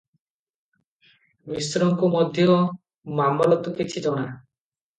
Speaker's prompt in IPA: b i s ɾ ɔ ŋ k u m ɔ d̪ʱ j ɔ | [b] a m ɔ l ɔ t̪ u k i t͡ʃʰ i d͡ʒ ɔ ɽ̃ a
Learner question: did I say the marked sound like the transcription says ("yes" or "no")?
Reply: no